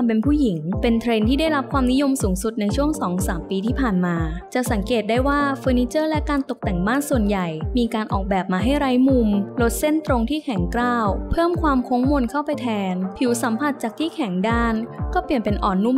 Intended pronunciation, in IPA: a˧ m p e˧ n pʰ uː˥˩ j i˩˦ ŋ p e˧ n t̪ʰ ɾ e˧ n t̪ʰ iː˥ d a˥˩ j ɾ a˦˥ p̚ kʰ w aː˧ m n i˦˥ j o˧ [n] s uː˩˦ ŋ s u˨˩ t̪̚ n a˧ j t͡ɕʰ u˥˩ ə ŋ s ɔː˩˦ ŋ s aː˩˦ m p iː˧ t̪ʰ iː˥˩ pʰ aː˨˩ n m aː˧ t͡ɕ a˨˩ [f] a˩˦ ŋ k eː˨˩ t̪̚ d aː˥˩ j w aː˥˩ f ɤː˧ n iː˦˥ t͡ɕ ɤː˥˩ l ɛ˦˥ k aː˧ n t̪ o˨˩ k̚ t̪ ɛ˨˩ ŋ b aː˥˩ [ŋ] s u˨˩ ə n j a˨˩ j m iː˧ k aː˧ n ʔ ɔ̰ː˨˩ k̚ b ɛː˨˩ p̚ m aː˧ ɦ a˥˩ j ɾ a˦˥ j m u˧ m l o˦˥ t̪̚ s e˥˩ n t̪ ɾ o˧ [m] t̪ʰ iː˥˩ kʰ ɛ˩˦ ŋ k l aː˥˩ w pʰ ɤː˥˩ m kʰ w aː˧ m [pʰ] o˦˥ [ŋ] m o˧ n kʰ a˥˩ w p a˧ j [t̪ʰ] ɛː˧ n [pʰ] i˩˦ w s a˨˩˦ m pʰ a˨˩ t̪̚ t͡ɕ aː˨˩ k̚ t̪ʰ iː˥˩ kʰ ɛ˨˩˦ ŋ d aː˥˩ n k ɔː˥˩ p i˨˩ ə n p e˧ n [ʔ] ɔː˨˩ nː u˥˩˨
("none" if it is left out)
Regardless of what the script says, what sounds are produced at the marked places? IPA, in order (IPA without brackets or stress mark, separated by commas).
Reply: m, s, n, ŋ, kʰ, ŋ, t̪ʰ, pʰ, ʔ